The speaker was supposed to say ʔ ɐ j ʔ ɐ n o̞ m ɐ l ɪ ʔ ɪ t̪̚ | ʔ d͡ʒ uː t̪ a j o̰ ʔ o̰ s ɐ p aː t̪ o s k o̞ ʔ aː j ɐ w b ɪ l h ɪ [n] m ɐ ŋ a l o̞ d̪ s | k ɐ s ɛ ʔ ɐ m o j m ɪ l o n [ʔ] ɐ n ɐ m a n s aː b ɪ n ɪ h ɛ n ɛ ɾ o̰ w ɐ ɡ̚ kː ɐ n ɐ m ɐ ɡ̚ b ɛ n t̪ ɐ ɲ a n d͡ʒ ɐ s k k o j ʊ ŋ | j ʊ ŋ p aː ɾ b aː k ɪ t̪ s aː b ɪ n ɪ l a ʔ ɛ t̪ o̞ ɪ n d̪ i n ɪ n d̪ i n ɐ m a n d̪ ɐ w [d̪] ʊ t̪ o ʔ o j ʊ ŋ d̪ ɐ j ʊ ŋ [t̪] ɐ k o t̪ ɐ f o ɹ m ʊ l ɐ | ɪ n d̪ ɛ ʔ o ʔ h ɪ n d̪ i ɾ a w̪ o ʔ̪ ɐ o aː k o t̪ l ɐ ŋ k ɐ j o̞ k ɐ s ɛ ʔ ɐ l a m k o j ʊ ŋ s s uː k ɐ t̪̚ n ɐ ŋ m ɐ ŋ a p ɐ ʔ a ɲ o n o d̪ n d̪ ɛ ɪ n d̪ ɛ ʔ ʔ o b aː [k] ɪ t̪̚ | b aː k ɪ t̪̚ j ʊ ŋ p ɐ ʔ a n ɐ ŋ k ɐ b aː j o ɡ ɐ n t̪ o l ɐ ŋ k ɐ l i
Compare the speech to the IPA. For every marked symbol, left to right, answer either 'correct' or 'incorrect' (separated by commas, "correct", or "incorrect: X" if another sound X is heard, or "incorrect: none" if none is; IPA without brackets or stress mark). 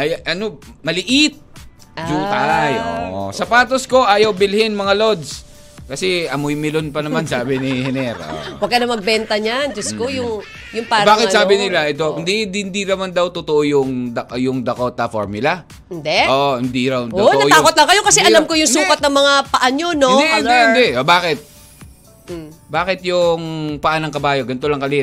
correct, incorrect: p, incorrect: t̪, incorrect: d̪, correct